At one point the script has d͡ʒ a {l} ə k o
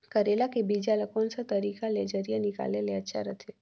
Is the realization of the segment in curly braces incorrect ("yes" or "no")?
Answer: no